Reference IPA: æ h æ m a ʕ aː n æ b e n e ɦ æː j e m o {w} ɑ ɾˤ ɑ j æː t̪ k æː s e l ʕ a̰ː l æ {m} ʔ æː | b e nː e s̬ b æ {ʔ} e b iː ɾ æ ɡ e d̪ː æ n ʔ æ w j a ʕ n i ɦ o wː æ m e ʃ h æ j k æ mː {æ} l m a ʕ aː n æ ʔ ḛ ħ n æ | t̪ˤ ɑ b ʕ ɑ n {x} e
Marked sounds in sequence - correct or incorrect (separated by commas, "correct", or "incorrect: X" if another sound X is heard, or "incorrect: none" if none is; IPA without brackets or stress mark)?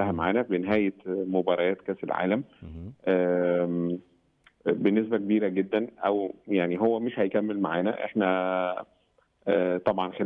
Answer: incorrect: b, correct, incorrect: k, incorrect: e, correct